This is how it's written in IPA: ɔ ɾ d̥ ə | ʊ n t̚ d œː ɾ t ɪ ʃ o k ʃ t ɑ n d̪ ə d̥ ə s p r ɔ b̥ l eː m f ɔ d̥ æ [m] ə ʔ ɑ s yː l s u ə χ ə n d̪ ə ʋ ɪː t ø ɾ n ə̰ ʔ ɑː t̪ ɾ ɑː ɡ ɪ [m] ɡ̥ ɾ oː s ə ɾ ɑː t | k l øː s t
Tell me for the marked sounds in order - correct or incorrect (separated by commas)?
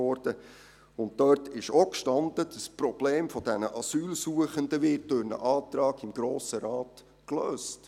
incorrect, correct